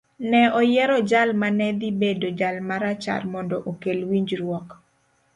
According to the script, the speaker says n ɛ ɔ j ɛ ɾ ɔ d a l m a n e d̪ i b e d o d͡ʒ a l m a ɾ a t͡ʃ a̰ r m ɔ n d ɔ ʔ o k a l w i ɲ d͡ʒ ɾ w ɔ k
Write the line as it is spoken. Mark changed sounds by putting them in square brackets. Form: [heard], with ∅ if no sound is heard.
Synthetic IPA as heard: n ɛ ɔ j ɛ ɾ ɔ [d͡ʒ] a l m a n [ɛ] d̪ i b e d o d͡ʒ a l m a ɾ a t͡ʃ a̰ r m ɔ n d ɔ ʔ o k [e] l w i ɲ d͡ʒ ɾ w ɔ k